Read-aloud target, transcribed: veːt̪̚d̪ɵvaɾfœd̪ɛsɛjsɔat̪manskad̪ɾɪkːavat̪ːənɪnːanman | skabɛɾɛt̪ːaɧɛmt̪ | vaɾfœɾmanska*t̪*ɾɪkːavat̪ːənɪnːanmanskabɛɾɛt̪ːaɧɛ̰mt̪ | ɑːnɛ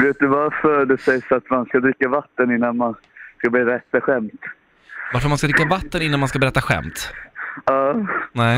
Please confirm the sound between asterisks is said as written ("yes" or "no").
no